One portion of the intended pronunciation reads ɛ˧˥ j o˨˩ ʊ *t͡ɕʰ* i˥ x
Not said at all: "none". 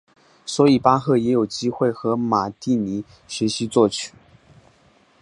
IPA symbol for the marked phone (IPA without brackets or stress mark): t͡ɕ